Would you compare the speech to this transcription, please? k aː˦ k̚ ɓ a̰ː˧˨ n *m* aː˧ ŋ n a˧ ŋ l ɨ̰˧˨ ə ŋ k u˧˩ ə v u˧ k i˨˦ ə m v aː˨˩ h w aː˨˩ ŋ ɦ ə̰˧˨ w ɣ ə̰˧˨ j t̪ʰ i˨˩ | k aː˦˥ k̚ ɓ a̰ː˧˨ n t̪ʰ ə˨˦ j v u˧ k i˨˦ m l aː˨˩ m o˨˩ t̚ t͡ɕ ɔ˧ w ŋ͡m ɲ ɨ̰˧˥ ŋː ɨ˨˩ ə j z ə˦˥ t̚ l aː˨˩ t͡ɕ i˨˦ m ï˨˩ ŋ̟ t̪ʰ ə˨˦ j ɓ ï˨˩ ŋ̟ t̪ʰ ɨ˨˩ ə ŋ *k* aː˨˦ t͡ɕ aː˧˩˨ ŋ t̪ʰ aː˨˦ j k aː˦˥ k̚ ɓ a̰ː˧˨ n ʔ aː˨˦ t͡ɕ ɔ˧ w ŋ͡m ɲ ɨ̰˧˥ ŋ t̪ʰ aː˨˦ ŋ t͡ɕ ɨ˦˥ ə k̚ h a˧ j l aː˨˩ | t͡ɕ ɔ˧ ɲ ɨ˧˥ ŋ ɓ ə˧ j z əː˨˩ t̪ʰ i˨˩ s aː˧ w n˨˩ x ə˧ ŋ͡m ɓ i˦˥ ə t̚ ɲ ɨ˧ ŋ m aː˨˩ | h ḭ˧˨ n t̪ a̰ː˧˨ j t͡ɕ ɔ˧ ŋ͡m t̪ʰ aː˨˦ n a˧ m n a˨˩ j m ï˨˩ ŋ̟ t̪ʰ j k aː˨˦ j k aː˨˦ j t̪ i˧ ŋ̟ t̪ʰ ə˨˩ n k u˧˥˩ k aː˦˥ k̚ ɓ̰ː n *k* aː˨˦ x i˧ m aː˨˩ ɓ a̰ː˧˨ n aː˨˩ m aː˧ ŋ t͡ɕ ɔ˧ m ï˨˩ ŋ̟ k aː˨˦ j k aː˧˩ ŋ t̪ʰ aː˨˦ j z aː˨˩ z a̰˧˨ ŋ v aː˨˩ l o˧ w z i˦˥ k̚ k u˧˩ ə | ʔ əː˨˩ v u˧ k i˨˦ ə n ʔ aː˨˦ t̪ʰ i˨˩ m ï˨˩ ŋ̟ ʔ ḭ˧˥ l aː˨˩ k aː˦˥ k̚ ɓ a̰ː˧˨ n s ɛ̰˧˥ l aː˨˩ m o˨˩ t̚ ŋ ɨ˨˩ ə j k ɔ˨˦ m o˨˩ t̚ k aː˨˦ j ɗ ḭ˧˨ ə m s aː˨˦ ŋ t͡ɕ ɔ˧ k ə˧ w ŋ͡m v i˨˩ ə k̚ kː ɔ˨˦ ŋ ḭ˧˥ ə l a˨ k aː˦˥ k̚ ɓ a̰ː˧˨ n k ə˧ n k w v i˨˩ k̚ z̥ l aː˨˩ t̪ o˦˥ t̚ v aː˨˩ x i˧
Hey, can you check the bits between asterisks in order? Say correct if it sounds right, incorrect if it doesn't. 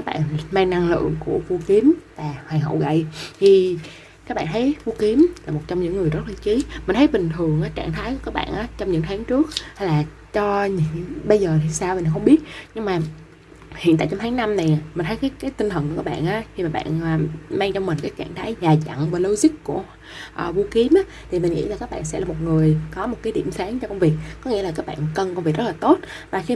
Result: correct, incorrect: ʔ, incorrect: ʔ

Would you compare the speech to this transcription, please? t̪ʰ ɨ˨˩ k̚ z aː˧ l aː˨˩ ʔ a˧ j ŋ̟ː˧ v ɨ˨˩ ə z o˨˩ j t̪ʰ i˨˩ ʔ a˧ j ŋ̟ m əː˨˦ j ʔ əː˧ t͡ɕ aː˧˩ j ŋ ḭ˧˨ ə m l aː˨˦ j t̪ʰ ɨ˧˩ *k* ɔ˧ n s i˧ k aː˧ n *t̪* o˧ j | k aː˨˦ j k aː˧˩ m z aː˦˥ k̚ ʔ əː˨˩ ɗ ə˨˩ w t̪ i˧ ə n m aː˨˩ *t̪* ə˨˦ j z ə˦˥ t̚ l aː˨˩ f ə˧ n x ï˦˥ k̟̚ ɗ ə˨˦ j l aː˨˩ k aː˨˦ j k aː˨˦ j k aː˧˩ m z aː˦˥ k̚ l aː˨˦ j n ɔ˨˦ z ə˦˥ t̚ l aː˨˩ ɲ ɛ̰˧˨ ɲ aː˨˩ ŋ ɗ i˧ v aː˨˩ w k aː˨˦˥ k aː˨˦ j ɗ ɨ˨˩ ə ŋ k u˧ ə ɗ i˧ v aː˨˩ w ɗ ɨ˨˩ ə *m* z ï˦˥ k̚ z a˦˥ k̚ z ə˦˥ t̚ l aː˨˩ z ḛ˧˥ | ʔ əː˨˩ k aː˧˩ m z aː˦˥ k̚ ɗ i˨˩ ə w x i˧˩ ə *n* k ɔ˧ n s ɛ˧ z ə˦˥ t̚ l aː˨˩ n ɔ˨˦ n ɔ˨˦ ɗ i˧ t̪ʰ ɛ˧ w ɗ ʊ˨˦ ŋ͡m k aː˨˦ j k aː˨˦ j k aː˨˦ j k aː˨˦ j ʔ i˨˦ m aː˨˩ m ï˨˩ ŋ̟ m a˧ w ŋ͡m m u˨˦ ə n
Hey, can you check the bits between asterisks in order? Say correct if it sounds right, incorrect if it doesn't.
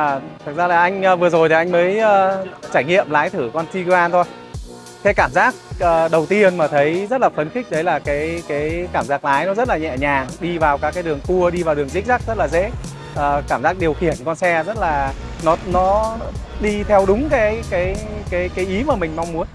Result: correct, incorrect: t̪ʰ, incorrect: t̪ʰ, incorrect: ŋ, correct

